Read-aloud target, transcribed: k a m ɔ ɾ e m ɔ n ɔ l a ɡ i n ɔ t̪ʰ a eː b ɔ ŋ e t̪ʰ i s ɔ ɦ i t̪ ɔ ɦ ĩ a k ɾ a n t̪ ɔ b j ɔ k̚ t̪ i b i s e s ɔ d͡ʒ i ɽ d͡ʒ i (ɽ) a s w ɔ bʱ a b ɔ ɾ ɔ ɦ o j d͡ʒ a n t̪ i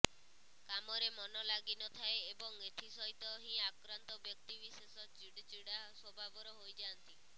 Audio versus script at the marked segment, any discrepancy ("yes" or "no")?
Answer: no